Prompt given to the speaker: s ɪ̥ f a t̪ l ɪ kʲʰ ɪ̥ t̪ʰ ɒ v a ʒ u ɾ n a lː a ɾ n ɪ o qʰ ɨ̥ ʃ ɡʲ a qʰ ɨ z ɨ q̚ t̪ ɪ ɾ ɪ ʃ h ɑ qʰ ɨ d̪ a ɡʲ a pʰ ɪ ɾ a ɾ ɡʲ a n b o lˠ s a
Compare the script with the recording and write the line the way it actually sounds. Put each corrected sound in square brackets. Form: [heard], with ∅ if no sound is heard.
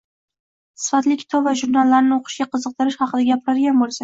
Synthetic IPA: s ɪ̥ f a t̪ l ɪ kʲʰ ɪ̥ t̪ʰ ɒ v a ʒ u ɾ n a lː a ɾ n ɪ o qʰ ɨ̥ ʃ ɡʲ a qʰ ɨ z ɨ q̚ t̪ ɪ ɾ ɪ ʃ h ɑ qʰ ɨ d̪ a ɡʲ a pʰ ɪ ɾ a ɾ ɡʲ a n b o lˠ s a